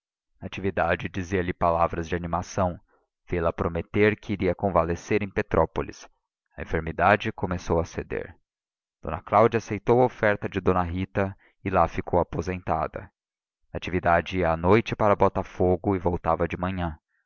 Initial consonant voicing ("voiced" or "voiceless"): voiceless